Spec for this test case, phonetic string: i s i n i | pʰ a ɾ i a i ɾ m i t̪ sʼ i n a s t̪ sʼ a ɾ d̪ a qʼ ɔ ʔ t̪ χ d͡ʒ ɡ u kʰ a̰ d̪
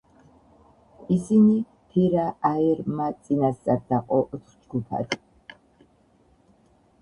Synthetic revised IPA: i s i n i | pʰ i ɾ a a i ɾ m a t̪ sʼ i n a s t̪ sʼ a ɾ d̪ a qʼ ɔ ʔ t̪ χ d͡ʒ ɡ u pʰ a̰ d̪